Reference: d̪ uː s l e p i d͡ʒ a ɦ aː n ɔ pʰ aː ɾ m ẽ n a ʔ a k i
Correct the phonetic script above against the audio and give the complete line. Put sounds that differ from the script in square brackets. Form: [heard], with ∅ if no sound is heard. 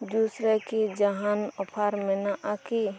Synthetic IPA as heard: d̪ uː s [ɾ] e [k] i d͡ʒ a ɦ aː n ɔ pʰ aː ɾ m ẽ n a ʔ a k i